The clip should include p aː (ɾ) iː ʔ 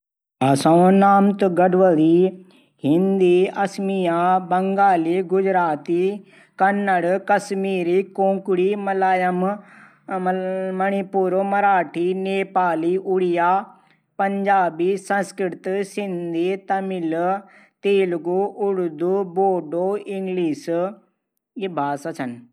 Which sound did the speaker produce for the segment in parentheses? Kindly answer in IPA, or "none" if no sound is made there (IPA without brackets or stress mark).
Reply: l